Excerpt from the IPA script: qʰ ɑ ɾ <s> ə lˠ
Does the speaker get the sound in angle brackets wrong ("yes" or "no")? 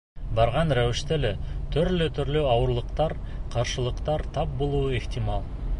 yes